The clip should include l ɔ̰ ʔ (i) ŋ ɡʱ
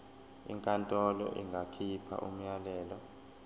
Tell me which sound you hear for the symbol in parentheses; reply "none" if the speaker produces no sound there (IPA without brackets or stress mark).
i